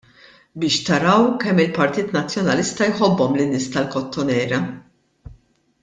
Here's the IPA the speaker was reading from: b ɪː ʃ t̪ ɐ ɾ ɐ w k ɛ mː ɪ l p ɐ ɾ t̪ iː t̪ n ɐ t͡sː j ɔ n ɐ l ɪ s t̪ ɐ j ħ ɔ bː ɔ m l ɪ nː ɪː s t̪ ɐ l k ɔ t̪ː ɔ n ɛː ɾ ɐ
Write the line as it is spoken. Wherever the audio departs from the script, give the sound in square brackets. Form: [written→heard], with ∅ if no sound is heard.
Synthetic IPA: b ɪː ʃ t̪ ɐ ɾ ɐ w k ɛ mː ɪ l p ɐ ɾ t̪ iː t̪ n ɐ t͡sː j ɔ n ɐ l ɪ s t̪ ɐ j ħ ɔ bː ɔ m l ɪ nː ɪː s t̪ ɐ l k ɔ t̪ː ɔ n ɛː ɾ ɐ